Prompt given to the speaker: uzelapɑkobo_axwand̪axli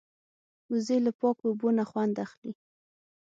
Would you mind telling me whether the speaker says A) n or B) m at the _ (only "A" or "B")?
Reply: A